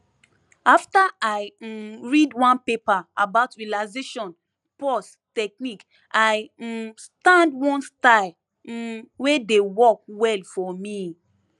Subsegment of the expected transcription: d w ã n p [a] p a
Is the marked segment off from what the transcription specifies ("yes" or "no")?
yes